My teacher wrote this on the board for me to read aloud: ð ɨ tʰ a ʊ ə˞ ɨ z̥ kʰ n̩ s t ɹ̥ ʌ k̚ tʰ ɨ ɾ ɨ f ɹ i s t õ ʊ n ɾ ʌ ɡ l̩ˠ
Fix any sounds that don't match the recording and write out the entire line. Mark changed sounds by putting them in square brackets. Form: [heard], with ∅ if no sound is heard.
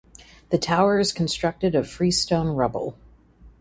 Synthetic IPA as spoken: ð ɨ tʰ a ʊ ə˞ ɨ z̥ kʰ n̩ s t ɹ̥ ʌ k̚ [t] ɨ ɾ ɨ f ɹ i s t õ [ʊ̃] n [ɹ] ʌ [b] l̩ˠ